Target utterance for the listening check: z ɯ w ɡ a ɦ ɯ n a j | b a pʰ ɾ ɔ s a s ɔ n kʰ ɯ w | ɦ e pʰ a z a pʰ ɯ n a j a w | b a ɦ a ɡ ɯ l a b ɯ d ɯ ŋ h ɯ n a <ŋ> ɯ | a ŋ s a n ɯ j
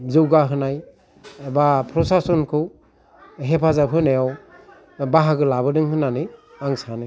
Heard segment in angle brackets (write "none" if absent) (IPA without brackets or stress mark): n